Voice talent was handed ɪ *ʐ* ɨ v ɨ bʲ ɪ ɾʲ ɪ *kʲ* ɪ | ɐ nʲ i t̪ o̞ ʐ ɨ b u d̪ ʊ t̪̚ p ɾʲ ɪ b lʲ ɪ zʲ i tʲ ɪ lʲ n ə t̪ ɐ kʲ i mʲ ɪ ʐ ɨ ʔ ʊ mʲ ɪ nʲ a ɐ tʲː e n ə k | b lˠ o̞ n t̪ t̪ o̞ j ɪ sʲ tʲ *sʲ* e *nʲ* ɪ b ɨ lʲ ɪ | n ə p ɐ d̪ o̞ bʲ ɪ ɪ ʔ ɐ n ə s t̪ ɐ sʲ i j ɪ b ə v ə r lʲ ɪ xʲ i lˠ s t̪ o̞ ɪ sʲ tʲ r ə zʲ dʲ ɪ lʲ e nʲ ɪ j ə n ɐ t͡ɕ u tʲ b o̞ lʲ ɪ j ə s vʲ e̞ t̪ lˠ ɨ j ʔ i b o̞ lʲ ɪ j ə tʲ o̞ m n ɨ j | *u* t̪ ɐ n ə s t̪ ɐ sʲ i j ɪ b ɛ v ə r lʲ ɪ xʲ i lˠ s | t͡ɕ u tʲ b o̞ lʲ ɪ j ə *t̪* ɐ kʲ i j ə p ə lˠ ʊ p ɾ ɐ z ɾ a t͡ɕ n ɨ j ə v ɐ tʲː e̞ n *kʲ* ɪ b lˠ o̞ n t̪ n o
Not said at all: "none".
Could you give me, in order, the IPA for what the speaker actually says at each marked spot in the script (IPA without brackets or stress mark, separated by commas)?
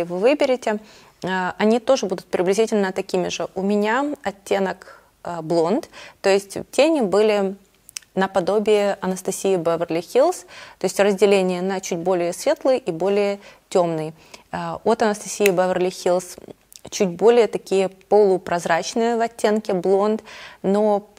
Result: v, tʲ, tʲ, nʲ, o, t̪, kʲ